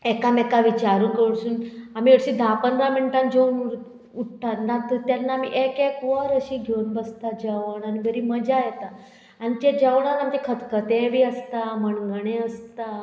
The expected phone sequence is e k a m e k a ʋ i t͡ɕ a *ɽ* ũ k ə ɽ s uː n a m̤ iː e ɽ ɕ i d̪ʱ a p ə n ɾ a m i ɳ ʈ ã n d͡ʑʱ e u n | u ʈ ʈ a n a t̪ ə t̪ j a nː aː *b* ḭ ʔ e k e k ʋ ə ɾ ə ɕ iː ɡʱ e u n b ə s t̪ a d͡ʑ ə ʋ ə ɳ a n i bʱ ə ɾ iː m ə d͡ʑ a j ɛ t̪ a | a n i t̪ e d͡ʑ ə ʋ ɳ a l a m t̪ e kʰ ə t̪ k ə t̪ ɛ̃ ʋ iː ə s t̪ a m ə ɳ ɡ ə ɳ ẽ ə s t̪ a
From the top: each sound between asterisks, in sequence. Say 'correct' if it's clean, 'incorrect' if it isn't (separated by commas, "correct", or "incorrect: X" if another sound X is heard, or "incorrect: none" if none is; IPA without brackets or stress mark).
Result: incorrect: ɾ, incorrect: m